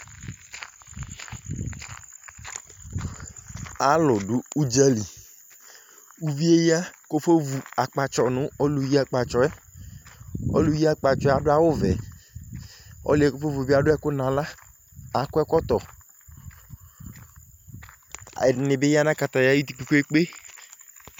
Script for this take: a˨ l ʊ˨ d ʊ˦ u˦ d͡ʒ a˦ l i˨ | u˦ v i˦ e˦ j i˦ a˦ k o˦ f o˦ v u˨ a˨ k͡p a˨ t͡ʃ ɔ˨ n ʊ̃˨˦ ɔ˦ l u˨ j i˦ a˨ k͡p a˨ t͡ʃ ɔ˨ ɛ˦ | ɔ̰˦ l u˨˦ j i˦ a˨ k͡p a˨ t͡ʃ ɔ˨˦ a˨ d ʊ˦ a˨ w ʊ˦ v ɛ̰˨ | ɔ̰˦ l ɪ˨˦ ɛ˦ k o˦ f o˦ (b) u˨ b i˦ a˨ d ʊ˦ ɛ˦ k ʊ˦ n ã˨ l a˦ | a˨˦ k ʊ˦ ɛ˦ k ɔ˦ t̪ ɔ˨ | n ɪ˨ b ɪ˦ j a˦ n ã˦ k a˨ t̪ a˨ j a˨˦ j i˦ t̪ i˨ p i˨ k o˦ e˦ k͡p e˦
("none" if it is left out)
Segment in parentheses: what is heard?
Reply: v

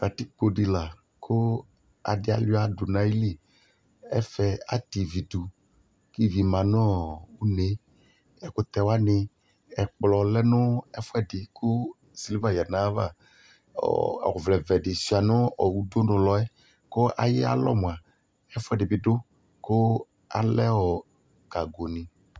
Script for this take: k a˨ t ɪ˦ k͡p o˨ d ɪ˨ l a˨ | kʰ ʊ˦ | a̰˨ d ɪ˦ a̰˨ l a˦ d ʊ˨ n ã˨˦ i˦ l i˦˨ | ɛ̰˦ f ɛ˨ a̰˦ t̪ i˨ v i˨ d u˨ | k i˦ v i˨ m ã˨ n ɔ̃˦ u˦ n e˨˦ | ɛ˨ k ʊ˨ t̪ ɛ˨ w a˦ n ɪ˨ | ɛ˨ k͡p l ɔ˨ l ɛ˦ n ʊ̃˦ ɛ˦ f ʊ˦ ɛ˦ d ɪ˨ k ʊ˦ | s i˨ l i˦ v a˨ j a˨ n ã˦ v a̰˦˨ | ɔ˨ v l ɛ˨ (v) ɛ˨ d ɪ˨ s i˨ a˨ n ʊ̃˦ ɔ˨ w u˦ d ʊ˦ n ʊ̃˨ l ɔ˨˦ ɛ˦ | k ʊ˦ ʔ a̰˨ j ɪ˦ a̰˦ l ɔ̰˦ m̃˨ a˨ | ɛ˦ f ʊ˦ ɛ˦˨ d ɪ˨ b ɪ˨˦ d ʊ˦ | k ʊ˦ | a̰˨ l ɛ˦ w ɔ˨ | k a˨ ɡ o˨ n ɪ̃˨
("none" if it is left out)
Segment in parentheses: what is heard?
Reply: v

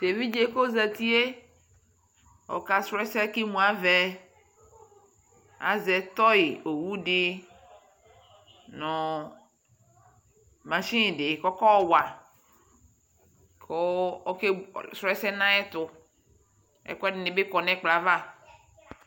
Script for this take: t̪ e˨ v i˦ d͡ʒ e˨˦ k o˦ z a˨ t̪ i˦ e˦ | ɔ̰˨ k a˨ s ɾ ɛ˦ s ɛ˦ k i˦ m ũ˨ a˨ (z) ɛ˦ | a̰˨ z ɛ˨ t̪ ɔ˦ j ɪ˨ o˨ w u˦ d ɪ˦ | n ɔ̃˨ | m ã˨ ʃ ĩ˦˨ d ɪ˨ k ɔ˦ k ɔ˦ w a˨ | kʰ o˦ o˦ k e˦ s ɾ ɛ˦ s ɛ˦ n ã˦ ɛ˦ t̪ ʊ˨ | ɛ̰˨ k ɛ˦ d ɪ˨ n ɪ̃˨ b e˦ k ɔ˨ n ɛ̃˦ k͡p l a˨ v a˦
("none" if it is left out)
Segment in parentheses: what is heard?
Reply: v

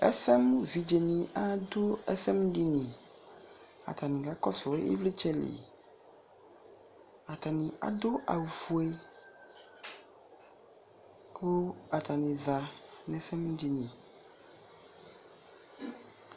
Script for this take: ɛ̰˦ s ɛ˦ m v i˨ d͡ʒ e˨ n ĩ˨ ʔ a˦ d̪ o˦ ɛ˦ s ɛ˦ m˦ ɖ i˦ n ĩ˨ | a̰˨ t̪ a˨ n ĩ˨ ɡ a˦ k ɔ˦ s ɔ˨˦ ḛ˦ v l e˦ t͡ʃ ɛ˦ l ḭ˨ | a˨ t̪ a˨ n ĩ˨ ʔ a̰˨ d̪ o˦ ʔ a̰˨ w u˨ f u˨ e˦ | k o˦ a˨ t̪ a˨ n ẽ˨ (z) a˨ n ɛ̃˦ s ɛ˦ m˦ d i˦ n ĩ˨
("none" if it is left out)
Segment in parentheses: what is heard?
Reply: z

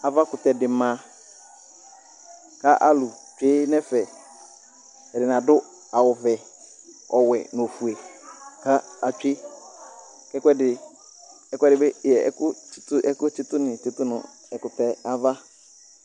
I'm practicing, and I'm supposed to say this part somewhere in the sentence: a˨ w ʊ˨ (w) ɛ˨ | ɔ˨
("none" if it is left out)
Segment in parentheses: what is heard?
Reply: v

